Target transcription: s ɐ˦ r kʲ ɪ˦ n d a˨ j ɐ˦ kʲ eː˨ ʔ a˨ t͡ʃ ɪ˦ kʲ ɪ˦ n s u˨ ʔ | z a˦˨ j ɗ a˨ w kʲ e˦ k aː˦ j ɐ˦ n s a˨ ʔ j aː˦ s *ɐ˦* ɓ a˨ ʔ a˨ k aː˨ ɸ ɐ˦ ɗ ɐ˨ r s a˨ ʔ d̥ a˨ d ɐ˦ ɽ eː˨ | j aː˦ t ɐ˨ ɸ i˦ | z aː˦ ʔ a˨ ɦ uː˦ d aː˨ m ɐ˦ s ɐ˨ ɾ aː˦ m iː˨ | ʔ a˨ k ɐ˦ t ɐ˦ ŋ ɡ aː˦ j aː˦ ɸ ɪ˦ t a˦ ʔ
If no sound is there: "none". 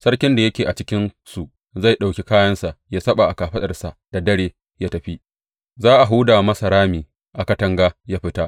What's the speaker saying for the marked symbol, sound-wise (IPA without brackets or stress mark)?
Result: ɐ˦